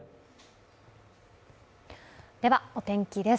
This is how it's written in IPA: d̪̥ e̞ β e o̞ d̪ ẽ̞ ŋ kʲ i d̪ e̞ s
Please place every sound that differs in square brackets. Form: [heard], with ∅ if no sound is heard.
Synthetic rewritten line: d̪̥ e̞ β [a] o̞ [t̪] ẽ̞ ŋ kʲ i d̪ e̞ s